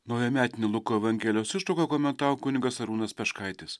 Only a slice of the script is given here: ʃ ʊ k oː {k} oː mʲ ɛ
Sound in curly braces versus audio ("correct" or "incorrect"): correct